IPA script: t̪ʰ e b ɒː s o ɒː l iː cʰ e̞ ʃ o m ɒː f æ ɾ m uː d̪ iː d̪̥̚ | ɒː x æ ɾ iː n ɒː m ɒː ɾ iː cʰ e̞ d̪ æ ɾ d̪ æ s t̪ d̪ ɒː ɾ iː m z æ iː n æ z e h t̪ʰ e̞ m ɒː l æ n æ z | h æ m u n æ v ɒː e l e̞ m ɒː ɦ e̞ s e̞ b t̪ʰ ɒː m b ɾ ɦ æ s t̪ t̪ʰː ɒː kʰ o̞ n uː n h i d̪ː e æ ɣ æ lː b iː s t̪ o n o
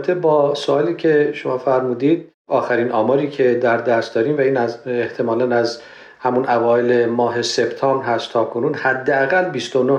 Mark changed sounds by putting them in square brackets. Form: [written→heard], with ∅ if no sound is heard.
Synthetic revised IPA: t̪ʰ e b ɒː s o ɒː l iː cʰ e̞ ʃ o m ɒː f æ ɾ m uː d̪ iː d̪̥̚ | ɒː x æ ɾ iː n ɒː m ɒː ɾ iː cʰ e̞ d̪ æ ɾ d̪ æ s t̪ d̪ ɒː ɾ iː m [z→v] æ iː n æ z e h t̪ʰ e̞ m ɒː l æ n æ z | h æ m u n æ v ɒː e l e̞ m ɒː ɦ e̞ s e̞ b t̪ʰ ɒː m b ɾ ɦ æ s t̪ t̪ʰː ɒː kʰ o̞ n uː n h [i→æ] d̪ː e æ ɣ æ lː b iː s t̪ o n o